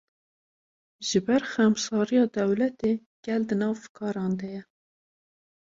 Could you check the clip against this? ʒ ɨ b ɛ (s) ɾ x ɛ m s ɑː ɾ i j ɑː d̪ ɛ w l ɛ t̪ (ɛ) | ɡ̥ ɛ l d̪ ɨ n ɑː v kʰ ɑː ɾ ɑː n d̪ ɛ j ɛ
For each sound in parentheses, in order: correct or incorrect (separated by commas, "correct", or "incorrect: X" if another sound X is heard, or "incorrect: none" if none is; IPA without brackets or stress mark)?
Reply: incorrect: none, incorrect: e